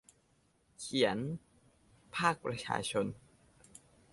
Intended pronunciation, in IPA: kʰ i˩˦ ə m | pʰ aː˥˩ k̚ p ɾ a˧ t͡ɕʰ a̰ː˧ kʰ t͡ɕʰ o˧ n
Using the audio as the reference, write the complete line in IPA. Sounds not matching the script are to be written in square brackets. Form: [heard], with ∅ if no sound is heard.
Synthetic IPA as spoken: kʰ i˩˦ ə [n] | pʰ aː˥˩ k̚ p ɾ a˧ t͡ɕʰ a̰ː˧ [∅] t͡ɕʰ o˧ n